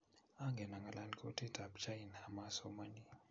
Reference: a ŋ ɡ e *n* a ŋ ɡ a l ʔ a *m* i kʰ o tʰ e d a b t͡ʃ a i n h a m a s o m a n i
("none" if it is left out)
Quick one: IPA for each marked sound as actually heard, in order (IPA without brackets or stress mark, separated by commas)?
n, n